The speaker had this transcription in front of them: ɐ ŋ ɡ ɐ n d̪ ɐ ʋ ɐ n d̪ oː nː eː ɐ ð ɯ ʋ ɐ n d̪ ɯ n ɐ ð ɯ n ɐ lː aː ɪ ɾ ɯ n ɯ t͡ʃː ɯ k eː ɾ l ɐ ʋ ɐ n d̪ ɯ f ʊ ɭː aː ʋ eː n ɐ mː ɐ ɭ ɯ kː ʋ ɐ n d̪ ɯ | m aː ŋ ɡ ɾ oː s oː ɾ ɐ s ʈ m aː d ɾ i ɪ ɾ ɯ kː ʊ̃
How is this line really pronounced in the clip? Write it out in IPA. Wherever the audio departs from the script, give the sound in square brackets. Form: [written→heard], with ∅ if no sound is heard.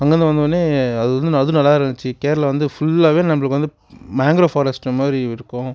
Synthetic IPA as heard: ɐ ŋ ɡ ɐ n d̪ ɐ ʋ ɐ n d̪ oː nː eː ɐ ð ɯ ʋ ɐ n d̪ ɯ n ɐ ð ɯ n ɐ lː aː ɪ ɾ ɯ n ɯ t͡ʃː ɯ k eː ɾ l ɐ ʋ ɐ n d̪ ɯ f ʊ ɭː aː ʋ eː n ɐ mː ɐ ɭ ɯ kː ʋ ɐ n d̪ ɯ | m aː ŋ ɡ ɾ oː [s→f] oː ɾ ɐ s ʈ m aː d ɾ i ɪ ɾ ɯ kː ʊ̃

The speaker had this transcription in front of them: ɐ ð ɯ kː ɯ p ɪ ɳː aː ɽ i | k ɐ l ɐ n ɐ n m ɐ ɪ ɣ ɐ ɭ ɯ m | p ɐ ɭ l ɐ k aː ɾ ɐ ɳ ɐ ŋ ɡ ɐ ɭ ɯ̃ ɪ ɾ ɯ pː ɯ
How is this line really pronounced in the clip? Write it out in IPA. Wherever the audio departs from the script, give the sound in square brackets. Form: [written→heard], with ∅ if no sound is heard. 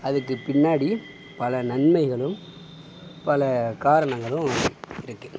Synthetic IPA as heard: ɐ ð ɯ kː ɯ p ɪ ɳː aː ɽ i | [k→p] ɐ l ɐ n ɐ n m ɐ ɪ ɣ ɐ ɭ ɯ m | p ɐ [ɭ→∅] l ɐ k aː ɾ ɐ ɳ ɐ ŋ ɡ ɐ ɭ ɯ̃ ɪ ɾ ɯ [pː→kː] ɯ

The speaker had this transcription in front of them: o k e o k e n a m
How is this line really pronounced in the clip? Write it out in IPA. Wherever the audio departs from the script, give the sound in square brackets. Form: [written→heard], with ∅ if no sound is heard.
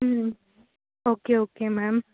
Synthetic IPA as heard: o k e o k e [n→m] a m

